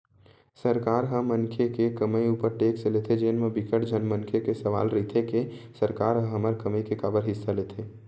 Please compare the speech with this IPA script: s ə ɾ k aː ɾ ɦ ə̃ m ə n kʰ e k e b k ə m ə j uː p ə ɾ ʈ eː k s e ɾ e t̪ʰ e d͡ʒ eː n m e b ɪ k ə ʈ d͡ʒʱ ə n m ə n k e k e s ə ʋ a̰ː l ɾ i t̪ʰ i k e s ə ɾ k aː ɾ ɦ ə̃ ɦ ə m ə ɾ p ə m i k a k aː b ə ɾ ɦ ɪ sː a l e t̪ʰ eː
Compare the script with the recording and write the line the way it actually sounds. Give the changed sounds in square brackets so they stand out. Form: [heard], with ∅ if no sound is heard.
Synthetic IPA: s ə ɾ k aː ɾ ɦ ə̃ m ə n kʰ e k e [∅] k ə m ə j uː p ə ɾ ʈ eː k s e [l] e t̪ʰ e d͡ʒ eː n m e b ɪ k ə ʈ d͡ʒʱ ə n m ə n [kʰ] e k e s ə ʋ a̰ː l ɾ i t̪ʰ [e] k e s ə ɾ k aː ɾ ɦ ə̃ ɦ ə m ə ɾ [k] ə m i k [e] k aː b ə ɾ ɦ ɪ sː a l e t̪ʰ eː

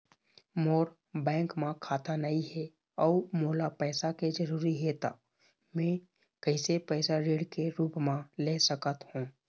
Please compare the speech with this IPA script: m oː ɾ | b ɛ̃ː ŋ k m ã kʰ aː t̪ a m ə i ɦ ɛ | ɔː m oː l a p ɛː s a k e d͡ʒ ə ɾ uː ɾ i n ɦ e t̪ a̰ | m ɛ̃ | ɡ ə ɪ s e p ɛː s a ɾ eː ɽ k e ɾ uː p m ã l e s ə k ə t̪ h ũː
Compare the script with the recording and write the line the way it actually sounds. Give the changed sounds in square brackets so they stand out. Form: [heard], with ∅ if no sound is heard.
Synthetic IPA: m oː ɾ | b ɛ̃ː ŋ k m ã kʰ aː t̪ a [n] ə i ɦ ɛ | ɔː m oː l a p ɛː s a k e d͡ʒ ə ɾ uː ɾ i [∅] ɦ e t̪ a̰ | m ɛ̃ | [k] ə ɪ s e p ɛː s a ɾ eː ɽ k e ɾ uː p m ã l e s ə k ə t̪ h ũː

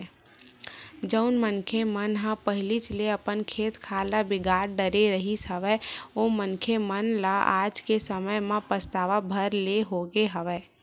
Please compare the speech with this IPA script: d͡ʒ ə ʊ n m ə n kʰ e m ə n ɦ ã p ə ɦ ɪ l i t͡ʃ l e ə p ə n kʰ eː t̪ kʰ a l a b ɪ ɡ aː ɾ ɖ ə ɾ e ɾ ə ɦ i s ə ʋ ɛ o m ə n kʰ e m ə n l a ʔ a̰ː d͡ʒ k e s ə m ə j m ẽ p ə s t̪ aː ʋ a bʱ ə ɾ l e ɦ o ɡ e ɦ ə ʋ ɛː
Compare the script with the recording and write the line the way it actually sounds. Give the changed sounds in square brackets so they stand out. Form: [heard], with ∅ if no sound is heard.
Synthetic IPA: d͡ʒ ə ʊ n m ə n kʰ e m ə n ɦ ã p ə ɦ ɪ l i t͡ʃ l e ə p ə n kʰ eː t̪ kʰ a l a b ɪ ɡ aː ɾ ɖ ə ɾ e ɾ ə ɦ i s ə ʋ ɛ o m ə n kʰ e m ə n l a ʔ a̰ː d͡ʒ k e s ə m ə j m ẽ p ə s t̪ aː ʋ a bʱ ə ɾ l e ɦ o ɡ e ɦ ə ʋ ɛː

